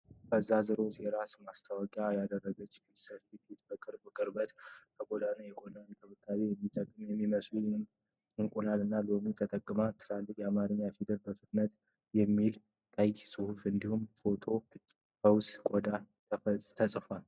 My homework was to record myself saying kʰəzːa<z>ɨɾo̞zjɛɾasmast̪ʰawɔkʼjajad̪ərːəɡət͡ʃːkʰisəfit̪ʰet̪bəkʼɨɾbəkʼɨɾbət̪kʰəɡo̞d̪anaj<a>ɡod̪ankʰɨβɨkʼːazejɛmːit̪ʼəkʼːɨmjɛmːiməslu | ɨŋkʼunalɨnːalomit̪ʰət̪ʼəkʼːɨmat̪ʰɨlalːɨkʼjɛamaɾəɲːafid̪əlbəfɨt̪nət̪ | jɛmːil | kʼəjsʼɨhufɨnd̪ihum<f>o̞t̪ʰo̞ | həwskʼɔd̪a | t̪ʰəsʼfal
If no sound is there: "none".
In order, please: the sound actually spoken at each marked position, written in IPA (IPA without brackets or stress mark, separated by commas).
z, ɛ, f